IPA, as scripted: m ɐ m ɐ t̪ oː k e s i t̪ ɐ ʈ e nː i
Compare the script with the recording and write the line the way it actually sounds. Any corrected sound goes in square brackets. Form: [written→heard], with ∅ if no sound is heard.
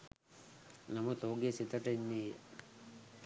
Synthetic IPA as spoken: [m→n] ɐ m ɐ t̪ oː [k→ɡ] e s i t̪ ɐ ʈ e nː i